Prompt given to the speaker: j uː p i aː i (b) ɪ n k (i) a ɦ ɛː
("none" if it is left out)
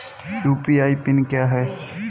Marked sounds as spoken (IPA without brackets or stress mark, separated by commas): p, j